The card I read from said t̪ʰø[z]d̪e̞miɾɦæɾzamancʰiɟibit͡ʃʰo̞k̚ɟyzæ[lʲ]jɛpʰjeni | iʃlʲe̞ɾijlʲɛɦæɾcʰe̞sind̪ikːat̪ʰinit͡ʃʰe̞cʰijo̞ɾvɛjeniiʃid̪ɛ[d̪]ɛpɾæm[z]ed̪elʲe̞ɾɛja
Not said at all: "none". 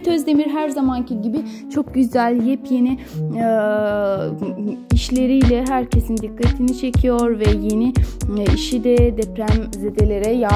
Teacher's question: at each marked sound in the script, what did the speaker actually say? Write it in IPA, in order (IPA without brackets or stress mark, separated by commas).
z, lʲ, d̪, z